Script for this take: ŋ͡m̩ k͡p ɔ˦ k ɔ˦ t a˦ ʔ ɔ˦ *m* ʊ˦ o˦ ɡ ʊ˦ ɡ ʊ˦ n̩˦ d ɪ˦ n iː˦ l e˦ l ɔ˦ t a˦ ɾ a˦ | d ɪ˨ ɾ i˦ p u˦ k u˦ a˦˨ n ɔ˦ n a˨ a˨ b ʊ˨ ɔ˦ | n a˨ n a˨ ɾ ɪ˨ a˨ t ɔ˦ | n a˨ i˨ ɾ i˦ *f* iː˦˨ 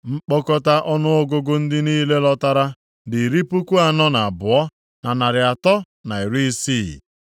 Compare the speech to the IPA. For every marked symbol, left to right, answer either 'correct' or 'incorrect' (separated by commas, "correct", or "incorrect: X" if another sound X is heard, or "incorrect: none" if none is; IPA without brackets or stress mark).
incorrect: n, incorrect: s